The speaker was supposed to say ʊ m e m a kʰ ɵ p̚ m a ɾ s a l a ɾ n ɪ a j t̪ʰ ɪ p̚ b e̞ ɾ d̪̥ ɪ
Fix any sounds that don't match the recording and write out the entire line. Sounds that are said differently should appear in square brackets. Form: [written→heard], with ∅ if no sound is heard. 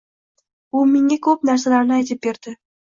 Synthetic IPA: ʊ m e [m→ŋ] a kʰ ɵ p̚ [m→n] a ɾ s a l a ɾ n ɪ a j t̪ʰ ɪ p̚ b e̞ ɾ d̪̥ ɪ